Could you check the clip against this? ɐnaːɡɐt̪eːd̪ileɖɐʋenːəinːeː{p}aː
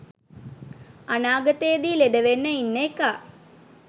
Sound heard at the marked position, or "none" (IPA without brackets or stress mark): k